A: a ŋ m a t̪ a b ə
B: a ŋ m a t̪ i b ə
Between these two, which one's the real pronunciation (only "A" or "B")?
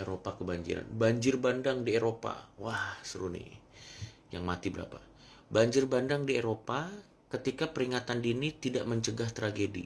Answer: B